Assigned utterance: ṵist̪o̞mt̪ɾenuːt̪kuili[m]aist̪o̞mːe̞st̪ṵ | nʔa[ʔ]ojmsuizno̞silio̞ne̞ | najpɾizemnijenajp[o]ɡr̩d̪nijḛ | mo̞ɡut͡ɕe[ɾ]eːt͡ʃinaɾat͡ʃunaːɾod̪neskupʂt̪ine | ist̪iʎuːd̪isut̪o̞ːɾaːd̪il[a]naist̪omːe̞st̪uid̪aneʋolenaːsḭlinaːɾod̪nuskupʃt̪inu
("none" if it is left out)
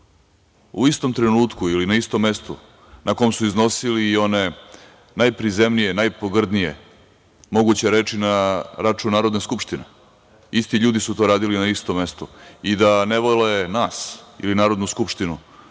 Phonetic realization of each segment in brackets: n, k, o, ɾ, i

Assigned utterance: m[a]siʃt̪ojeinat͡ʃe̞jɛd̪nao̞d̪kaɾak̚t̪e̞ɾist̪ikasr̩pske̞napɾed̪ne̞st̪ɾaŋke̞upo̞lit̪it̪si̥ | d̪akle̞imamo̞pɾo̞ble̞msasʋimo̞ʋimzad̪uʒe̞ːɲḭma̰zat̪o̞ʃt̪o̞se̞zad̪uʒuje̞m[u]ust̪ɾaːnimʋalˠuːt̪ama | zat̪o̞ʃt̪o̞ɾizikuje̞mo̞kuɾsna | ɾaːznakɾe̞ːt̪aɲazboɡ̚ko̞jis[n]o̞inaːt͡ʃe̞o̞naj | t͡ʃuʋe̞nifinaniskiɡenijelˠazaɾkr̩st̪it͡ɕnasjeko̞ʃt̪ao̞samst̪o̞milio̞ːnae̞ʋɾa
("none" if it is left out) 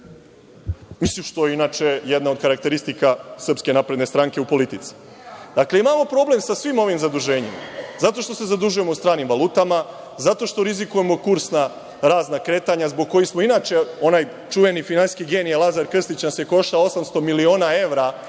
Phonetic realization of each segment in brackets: i, o, m

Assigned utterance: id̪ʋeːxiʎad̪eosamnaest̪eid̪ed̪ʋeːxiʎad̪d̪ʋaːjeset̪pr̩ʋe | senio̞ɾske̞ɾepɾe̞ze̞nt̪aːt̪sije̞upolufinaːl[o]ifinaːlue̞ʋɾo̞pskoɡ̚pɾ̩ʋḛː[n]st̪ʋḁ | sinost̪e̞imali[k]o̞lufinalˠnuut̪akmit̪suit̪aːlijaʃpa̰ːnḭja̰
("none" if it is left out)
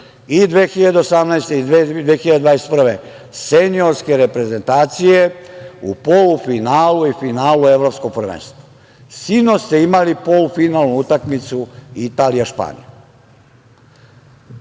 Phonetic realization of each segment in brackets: u, n, p

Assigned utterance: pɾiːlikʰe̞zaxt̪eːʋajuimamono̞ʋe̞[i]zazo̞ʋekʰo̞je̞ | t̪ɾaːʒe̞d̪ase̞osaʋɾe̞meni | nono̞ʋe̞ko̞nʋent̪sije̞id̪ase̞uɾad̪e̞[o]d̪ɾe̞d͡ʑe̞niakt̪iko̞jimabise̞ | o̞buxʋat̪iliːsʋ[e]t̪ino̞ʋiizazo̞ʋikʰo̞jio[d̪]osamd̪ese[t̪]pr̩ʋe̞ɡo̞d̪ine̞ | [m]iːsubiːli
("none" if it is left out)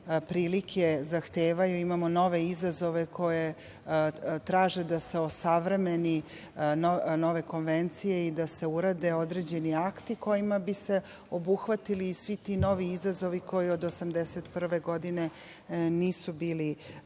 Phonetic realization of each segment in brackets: i, o, i, d̪, t̪, n

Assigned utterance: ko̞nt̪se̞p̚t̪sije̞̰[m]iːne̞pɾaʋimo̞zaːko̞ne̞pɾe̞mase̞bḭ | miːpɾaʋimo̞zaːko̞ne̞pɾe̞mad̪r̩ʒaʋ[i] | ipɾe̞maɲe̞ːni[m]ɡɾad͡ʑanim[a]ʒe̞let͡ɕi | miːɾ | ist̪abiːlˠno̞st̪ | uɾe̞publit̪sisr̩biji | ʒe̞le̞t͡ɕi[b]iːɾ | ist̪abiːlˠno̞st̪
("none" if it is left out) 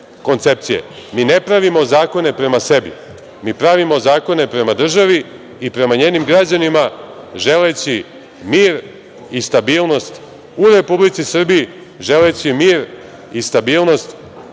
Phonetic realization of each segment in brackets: m, i, m, a, m

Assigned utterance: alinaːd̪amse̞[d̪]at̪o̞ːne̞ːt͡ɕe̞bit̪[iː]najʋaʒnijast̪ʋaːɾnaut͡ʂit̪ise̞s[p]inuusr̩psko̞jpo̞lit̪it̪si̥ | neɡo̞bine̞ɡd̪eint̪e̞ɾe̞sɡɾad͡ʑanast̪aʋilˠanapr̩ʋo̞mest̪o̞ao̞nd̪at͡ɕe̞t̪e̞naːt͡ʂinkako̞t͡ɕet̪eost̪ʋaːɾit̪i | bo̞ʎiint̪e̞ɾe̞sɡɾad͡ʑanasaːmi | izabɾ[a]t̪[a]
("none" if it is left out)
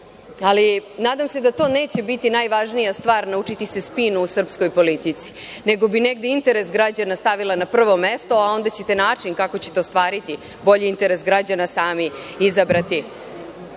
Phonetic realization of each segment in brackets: d̪, i, p, a, i

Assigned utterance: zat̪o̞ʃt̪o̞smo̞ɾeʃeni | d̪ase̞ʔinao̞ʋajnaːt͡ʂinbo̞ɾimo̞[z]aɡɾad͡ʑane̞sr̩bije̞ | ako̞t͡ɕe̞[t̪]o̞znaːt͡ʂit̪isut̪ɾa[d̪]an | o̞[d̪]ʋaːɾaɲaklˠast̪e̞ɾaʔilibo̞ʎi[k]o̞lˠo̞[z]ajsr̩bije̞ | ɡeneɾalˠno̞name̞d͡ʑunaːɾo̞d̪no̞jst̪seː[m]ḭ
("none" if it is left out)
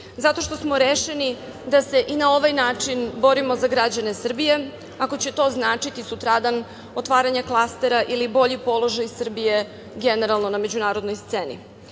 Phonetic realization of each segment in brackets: z, t̪, d̪, t̪, p, ʒ, n

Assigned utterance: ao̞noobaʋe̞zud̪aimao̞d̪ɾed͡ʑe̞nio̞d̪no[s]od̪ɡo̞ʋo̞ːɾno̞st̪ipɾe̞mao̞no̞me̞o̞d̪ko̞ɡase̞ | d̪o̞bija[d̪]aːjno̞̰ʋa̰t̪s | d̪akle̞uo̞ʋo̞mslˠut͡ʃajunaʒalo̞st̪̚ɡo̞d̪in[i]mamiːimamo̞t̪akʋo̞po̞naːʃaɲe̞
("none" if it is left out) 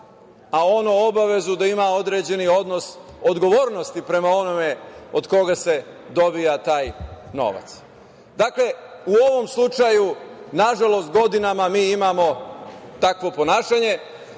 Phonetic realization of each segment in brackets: s, t̪, a

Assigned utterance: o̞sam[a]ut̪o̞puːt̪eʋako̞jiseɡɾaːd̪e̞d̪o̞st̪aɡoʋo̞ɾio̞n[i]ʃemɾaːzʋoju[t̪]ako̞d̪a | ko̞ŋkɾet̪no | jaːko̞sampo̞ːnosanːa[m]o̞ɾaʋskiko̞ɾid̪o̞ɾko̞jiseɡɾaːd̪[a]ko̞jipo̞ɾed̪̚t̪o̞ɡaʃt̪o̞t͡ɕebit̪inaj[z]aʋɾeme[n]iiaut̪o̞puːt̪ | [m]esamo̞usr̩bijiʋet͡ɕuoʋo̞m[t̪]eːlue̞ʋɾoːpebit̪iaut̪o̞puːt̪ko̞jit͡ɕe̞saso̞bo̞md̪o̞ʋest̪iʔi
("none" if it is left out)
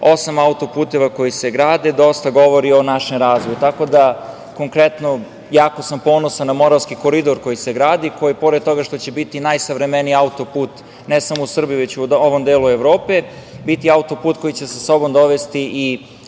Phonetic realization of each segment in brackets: a, a, t̪, m, i, s, n, n, d̪

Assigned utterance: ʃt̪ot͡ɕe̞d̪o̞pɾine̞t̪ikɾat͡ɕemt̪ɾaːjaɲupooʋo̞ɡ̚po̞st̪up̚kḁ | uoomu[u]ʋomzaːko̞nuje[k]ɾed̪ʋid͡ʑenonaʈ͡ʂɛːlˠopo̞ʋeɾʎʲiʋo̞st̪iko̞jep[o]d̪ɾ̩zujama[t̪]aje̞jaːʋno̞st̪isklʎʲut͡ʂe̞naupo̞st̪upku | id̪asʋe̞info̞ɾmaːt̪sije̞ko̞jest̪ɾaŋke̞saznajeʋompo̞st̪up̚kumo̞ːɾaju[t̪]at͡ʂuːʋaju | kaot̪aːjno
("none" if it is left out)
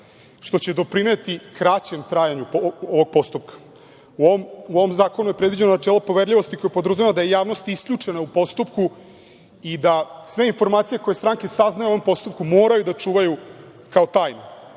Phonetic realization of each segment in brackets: o, p, o, d̪, d̪

